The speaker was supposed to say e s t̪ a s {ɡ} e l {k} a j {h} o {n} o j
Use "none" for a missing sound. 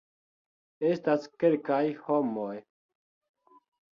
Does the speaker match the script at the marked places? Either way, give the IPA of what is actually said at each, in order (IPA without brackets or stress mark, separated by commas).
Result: k, k, h, m